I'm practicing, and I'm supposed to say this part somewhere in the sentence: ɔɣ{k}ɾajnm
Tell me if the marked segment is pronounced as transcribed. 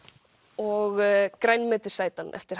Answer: yes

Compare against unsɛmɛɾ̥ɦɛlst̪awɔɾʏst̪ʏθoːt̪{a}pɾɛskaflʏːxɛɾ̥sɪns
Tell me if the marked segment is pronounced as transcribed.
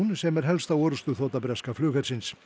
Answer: yes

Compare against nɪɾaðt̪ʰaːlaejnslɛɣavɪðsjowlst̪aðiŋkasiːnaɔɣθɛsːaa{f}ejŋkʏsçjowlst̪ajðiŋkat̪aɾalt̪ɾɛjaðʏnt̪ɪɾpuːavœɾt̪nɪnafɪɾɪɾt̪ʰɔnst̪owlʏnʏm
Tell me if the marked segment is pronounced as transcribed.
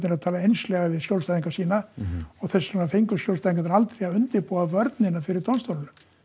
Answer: yes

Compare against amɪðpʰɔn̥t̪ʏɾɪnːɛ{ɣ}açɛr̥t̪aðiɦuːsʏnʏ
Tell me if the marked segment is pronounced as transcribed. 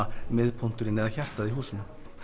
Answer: no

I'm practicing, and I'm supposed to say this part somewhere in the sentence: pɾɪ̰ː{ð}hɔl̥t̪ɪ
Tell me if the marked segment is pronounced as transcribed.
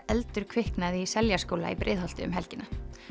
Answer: yes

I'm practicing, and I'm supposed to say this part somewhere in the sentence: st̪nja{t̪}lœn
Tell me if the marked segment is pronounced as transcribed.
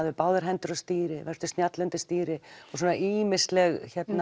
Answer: yes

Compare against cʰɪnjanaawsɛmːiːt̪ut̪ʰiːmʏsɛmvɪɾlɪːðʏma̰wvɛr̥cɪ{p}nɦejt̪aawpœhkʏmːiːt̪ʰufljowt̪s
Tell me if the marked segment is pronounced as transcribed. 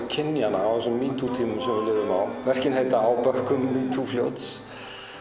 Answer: no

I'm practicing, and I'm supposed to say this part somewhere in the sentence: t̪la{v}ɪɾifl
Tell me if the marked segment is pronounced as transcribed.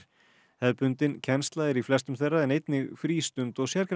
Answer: no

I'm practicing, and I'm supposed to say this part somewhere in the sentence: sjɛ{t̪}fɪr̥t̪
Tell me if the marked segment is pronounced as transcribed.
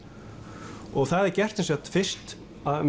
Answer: yes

